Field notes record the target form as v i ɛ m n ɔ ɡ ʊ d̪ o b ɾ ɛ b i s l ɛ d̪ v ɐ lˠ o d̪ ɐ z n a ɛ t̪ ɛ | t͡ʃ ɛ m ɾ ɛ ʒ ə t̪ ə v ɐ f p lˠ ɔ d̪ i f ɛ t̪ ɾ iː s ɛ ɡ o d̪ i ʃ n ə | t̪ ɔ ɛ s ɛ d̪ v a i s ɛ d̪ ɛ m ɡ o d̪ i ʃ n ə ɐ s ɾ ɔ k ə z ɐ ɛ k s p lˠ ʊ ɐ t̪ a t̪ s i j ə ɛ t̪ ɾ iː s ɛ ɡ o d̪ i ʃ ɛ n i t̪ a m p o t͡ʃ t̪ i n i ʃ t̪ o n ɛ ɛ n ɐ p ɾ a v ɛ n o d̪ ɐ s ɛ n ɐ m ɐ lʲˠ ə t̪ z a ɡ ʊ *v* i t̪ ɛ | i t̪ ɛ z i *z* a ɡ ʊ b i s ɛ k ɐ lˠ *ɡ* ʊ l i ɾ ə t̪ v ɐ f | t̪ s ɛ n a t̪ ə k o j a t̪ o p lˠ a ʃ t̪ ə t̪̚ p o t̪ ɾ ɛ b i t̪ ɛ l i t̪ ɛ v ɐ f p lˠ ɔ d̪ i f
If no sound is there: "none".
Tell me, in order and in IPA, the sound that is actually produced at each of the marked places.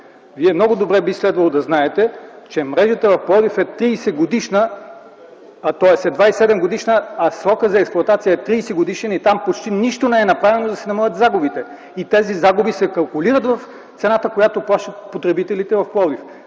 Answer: b, z, k

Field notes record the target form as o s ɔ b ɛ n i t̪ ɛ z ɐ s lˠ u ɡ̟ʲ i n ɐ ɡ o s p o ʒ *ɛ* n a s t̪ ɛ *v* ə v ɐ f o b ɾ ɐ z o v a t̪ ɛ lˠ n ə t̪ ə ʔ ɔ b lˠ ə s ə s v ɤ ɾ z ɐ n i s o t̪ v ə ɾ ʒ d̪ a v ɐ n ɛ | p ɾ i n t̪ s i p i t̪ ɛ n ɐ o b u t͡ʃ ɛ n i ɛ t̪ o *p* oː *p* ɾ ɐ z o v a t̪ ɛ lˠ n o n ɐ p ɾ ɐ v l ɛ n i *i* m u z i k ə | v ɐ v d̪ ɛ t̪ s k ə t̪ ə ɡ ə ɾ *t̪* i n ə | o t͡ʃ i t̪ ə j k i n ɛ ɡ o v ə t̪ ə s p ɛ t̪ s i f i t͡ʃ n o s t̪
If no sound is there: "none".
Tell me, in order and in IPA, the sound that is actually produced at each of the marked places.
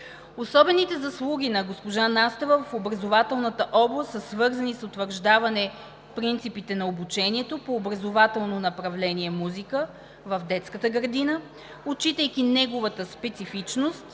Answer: a, v, p, b, ɛ, d̪

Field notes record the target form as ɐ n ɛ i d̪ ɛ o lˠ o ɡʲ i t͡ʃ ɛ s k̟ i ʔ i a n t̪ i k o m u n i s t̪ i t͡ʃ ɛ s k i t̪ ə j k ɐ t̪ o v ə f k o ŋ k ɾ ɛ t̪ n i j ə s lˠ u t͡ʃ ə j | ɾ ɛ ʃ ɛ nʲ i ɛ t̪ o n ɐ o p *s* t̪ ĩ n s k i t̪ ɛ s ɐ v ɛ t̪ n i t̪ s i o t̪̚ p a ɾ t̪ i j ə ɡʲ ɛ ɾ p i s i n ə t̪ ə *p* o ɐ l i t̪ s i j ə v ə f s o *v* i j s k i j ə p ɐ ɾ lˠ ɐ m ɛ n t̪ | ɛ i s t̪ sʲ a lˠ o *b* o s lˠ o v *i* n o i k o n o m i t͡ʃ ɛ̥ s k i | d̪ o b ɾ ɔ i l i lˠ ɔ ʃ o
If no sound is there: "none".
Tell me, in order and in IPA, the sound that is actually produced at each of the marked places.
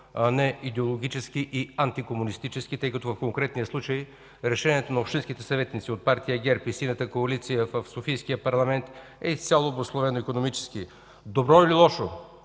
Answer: ʃ, k, f, b, ɛ

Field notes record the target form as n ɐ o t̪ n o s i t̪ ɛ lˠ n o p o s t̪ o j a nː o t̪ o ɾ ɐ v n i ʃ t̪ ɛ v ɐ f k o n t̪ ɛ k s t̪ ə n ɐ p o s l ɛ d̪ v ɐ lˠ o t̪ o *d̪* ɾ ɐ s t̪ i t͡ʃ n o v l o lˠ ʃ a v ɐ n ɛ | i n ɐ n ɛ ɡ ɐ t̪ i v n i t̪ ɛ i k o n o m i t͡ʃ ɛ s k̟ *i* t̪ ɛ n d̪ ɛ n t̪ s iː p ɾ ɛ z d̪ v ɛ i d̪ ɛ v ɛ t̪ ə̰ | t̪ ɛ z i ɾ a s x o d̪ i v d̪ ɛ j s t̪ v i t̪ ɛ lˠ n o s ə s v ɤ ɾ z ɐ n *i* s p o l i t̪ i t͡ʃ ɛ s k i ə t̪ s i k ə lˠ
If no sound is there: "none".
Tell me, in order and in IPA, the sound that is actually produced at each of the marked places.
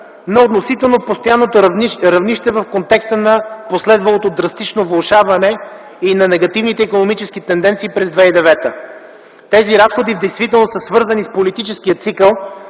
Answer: d̪, i, i

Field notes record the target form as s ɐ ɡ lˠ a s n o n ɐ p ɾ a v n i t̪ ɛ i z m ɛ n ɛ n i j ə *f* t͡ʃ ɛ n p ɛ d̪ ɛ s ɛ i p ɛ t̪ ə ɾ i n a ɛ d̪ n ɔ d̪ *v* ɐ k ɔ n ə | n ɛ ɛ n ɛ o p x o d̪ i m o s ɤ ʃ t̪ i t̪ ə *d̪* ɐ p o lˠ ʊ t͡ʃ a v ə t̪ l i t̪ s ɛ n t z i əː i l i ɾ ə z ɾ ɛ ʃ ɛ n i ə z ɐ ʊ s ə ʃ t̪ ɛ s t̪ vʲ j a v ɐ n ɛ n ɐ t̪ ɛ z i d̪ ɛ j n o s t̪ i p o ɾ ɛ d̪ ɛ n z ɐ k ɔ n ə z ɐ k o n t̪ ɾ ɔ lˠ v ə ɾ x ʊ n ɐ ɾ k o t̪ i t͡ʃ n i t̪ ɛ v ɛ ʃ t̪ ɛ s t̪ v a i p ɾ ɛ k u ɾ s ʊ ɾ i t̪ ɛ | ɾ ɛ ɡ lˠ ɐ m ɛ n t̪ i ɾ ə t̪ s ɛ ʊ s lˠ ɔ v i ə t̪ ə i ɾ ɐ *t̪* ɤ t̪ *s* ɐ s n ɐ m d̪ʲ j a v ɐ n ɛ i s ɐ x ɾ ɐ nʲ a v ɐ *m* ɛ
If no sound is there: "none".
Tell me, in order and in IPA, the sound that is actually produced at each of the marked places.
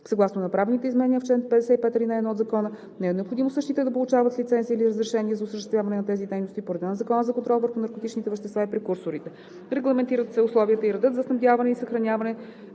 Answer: f, z, d̪, d̪, z, n

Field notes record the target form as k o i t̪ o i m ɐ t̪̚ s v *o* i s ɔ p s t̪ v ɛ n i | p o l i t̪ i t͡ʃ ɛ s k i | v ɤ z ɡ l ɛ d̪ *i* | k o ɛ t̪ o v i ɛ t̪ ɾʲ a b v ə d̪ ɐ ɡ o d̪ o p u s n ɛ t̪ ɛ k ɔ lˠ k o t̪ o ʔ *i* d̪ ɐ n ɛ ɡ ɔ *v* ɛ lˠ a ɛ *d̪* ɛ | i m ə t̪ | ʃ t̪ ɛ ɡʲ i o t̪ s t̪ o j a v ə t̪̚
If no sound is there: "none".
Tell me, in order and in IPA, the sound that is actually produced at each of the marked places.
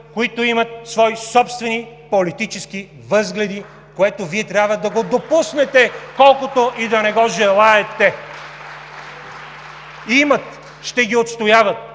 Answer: ɔ, i, i, ʒ, t̪

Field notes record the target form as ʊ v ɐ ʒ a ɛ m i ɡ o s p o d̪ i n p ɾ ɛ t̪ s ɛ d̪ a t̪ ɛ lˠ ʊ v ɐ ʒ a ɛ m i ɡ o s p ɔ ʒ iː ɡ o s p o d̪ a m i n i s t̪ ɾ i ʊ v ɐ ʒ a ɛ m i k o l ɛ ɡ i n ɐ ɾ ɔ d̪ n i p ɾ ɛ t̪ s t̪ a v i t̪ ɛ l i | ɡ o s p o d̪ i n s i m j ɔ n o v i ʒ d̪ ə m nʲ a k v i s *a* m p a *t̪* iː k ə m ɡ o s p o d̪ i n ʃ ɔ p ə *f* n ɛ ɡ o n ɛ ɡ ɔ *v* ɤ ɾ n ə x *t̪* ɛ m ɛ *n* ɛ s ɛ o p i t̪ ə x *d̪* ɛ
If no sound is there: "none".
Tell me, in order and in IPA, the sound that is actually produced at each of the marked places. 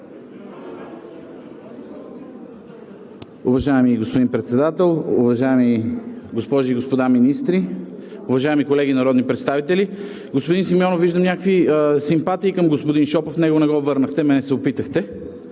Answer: i, t̪, f, v, t̪, n, t̪

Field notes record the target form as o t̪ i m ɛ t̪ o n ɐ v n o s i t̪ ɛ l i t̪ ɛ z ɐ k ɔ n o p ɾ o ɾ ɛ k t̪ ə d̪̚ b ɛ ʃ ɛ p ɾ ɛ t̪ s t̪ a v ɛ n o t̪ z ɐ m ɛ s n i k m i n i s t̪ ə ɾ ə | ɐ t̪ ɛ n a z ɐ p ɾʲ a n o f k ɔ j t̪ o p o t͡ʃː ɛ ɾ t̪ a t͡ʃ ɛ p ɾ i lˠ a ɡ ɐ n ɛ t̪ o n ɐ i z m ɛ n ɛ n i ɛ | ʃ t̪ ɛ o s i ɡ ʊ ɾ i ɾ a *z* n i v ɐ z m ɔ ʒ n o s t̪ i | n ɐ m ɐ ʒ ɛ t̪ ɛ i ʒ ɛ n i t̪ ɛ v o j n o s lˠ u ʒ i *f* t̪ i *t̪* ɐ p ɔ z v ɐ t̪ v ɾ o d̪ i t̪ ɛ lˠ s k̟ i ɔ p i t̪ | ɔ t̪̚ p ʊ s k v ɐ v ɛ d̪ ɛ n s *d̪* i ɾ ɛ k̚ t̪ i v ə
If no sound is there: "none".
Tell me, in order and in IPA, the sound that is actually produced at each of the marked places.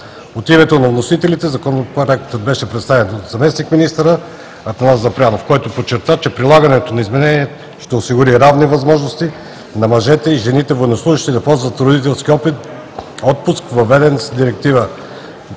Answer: v, ʃ, d̪, d̪

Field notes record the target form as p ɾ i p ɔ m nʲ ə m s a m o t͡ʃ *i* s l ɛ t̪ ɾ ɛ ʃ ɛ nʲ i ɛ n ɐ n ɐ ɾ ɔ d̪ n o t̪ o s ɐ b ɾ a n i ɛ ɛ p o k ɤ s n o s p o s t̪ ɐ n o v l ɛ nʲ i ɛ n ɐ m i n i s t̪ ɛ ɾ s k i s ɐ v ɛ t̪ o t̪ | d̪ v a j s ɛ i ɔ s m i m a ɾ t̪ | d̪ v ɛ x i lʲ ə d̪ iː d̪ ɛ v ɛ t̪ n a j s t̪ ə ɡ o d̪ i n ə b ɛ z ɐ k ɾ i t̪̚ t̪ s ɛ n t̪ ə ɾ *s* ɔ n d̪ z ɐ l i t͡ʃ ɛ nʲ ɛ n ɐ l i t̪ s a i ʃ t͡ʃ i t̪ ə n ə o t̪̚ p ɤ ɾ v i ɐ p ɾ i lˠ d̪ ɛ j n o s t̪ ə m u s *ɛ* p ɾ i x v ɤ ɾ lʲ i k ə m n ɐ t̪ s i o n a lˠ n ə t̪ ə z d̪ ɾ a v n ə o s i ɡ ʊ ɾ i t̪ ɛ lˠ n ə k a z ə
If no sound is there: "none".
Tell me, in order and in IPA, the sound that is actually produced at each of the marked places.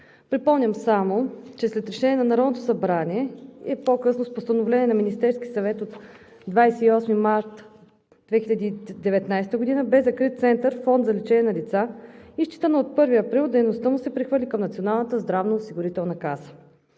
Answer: ɛ, f, ɛ

